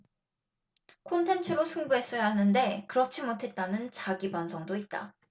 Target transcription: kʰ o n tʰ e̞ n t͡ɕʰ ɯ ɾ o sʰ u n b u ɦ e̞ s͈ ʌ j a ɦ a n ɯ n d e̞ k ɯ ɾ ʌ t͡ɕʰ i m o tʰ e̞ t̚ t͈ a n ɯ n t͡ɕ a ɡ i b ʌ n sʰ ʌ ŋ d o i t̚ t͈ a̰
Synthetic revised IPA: kʰ o n tʰ e̞ n t͡ɕʰ ɯ ɾ o sʰ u ŋ b u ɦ e̞ s͈ ʌ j a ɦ a n ɯ n d e̞ k ɯ ɾ ʌ t͡ɕʰ i m o tʰ e̞ t̚ t͈ a n ɯ n t͡ɕ a ɡ i b a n sʰ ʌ ŋ d o i t̚ t͈ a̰